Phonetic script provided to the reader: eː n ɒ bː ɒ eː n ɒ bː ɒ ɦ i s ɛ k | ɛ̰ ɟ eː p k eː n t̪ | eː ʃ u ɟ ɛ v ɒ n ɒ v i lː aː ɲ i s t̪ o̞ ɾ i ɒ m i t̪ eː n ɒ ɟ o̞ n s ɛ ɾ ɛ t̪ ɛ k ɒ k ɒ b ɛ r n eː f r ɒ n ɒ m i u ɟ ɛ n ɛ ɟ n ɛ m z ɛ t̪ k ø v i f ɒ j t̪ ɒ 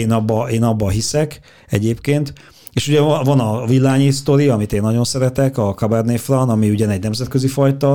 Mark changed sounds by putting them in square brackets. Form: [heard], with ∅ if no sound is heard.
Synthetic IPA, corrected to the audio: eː n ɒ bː ɒ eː n ɒ bː ɒ ɦ i s ɛ k | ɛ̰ ɟ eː p k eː n t̪ | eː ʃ u ɟ ɛ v ɒ n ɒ v i lː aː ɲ i s t̪ o̞ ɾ i ɒ m i t̪ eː [nː] ɒ ɟ o̞ n s ɛ ɾ ɛ t̪ ɛ k ɒ k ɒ b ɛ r n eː f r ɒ n ɒ m i u ɟ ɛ n ɛ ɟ n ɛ m z ɛ t̪ k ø [z] i f ɒ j t̪ ɒ